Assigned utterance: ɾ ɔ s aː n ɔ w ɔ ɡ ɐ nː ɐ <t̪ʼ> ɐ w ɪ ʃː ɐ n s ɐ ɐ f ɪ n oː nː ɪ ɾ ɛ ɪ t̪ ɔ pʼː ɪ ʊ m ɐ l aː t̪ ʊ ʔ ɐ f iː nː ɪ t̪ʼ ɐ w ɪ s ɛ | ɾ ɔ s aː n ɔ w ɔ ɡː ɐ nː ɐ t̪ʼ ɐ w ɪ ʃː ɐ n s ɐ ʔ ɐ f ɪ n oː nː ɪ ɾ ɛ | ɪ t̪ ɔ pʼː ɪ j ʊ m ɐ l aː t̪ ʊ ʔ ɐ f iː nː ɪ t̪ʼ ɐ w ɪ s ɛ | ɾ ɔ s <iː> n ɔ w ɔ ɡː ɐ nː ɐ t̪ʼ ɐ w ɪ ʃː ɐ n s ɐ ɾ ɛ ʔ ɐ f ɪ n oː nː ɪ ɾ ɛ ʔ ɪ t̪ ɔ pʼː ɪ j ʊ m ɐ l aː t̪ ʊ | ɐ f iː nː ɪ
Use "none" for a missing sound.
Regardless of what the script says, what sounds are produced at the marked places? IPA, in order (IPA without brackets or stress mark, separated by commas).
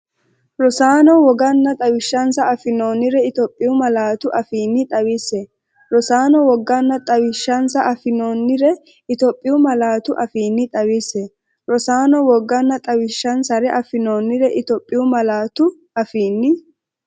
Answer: t̪ʼ, aː